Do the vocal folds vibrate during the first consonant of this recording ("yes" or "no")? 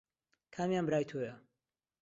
no